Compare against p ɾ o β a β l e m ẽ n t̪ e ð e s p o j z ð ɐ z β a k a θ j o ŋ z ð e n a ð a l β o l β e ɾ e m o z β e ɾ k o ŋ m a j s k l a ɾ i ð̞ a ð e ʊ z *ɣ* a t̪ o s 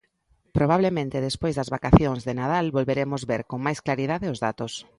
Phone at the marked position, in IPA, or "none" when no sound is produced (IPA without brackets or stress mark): ð